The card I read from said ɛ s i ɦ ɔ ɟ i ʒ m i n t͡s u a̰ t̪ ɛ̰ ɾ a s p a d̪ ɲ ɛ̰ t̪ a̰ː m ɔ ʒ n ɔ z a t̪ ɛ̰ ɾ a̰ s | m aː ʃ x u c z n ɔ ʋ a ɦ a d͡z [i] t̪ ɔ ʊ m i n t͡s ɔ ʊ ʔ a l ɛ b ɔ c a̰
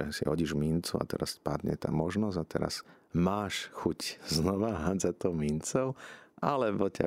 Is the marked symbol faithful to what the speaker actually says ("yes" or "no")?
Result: no